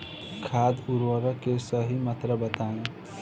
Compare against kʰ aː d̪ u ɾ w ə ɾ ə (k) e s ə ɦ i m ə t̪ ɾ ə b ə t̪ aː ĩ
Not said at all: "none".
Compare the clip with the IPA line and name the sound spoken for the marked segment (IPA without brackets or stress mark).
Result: k